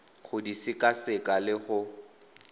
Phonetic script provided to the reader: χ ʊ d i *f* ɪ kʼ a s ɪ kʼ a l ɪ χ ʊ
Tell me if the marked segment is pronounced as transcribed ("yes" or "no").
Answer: no